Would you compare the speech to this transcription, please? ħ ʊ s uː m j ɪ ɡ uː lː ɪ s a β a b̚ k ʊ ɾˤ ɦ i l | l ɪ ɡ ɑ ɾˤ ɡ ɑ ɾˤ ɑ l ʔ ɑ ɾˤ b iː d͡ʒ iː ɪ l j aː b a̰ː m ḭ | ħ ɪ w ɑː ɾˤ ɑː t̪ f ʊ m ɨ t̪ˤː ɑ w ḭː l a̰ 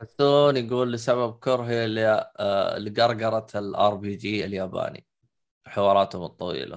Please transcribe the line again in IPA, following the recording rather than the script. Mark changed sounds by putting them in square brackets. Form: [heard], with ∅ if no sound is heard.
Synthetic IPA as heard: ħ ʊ s uː [n] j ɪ ɡ uː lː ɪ s a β a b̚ k ʊ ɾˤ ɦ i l | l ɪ ɡ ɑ ɾˤ ɡ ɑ ɾˤ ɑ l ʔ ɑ ɾˤ b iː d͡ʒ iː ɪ l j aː b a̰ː [n] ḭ | ħ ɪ w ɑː ɾˤ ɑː t̪ [h] ʊ m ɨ t̪ˤː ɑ w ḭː l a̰